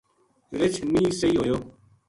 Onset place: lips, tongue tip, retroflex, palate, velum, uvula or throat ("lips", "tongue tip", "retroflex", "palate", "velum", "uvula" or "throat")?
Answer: tongue tip